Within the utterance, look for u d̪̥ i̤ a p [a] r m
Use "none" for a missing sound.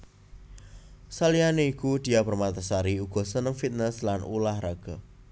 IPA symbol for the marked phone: ə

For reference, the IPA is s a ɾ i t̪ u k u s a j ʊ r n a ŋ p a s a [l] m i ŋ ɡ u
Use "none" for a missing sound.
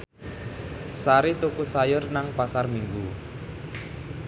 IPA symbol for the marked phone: r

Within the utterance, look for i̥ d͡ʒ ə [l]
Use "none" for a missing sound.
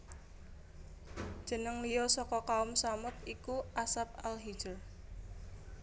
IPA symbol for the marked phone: r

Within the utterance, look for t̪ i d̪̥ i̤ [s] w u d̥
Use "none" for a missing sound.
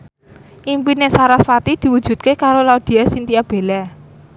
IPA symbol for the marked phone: none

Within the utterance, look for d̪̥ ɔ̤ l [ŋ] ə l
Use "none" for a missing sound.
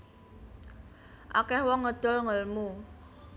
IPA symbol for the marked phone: ŋ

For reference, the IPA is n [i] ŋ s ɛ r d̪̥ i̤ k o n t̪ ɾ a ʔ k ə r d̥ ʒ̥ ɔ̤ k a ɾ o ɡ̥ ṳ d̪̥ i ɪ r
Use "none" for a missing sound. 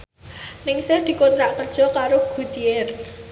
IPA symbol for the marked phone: ɪ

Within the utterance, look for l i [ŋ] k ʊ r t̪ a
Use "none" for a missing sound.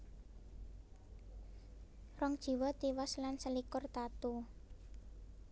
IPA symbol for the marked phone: none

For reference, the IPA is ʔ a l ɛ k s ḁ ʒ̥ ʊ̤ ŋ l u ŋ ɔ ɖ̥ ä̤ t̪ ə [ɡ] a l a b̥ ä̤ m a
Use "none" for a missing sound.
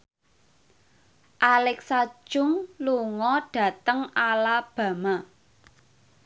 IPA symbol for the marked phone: ŋ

